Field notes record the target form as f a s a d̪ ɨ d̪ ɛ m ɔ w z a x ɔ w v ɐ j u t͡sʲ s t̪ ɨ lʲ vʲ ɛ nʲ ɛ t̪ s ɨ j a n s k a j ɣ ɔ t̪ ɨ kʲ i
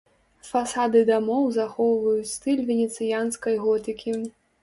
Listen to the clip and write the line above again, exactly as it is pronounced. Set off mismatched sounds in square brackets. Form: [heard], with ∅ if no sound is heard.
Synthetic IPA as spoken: f a s a d̪ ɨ d̪ [a] m ɔ w z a x ɔ w v ɐ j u t͡sʲ s t̪ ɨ lʲ vʲ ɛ nʲ ɛ t̪ s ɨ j a n s k [ɐ] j ɣ ɔ t̪ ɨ kʲ i